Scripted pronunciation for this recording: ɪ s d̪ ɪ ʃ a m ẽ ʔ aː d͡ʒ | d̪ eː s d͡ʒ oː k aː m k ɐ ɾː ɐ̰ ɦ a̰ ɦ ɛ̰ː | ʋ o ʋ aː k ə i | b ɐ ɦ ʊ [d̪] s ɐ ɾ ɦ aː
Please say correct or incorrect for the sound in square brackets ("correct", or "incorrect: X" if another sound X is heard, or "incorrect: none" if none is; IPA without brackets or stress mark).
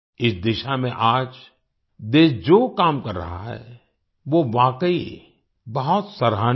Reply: incorrect: t̪